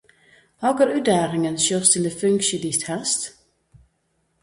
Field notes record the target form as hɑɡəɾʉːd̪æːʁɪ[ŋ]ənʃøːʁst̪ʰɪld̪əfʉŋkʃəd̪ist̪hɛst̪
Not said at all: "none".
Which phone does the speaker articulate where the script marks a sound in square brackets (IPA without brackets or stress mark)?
ŋ